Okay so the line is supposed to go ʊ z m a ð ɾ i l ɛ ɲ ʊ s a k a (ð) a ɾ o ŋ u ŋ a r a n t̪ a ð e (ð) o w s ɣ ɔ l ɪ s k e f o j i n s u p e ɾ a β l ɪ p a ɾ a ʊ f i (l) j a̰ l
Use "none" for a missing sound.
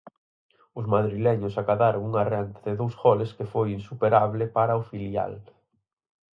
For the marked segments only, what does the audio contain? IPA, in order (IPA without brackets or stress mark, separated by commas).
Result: ð, ð, l